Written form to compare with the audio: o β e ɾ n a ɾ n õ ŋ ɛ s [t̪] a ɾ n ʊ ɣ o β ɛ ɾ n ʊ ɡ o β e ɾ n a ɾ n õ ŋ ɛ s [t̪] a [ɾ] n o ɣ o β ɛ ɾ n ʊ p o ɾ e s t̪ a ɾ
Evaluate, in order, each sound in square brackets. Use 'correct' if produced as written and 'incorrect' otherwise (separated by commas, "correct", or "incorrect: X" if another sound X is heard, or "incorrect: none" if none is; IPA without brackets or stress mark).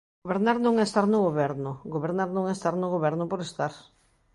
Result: correct, correct, correct